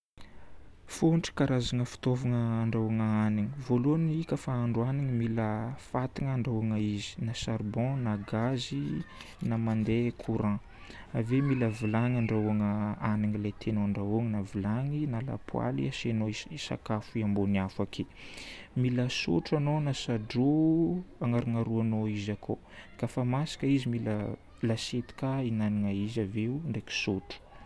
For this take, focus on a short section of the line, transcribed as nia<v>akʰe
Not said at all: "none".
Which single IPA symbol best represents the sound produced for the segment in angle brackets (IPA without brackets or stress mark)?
f